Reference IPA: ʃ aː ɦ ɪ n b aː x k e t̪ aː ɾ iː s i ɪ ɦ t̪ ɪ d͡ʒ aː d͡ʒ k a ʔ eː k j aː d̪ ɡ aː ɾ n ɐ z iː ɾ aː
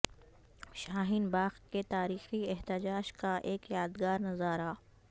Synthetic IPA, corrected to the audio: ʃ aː ɦ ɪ n b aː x k e t̪ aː ɾ iː x i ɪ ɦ t̪ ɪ d͡ʒ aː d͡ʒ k a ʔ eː k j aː d̪ ɡ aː ɾ n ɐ z aː ɾ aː